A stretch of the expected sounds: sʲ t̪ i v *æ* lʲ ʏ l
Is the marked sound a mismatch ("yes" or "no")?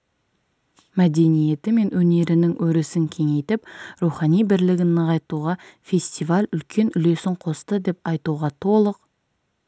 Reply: yes